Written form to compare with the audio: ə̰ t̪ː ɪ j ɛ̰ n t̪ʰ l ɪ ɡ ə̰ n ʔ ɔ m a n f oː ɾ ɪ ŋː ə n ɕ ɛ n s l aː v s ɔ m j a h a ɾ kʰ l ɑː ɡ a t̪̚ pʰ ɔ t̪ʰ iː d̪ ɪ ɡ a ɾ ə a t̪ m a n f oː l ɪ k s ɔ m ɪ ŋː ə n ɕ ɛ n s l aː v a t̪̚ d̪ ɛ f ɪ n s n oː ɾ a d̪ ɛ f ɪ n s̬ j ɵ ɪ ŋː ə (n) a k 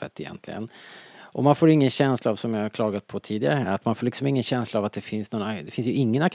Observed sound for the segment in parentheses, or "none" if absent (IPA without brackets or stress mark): n